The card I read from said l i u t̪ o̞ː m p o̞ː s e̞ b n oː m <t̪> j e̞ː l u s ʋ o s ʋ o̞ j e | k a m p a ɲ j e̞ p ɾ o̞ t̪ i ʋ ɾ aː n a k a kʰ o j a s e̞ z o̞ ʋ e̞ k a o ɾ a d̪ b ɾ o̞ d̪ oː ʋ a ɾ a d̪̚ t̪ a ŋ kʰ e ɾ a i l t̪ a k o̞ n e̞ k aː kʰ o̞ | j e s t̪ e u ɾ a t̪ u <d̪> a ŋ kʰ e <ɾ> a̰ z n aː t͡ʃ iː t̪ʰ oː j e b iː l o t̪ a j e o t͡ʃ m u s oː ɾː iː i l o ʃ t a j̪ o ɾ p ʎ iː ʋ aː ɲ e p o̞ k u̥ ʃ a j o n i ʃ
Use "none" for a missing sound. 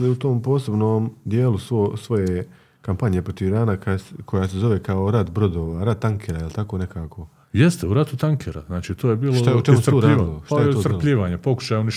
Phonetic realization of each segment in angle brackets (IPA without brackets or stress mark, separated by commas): d̪, t̪, ɾ